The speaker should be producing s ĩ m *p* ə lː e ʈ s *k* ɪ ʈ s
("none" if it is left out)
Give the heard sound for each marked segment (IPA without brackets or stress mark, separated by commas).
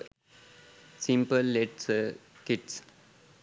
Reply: p, k